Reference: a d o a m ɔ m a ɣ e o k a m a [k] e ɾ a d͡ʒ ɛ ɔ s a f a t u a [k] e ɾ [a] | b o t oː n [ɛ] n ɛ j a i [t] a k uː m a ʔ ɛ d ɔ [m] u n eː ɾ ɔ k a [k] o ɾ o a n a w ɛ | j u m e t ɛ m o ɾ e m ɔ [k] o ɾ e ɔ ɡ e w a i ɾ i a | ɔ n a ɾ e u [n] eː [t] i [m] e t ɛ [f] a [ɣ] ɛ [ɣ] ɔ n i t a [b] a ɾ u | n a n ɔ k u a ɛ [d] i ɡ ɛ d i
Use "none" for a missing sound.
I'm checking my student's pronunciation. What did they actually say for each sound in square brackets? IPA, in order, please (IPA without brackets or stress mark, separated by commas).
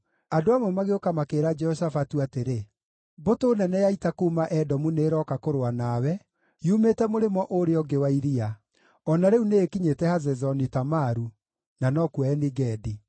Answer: k, t, e, ɛ, t, m, k, ʔ, n, k, ɲ, h, z, z, m, n